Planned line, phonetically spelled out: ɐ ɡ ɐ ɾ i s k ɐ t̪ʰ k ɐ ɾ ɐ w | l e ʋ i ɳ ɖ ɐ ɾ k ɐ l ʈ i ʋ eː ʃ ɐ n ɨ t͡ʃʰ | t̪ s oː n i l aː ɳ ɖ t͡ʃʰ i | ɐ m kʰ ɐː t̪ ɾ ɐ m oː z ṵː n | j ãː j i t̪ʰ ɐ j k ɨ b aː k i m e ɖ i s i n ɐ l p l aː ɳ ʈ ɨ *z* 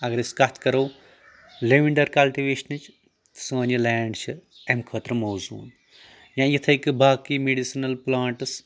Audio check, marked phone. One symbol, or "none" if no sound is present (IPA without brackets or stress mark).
s